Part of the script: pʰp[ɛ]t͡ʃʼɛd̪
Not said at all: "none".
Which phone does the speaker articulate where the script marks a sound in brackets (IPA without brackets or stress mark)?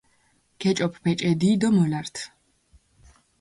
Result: ɛ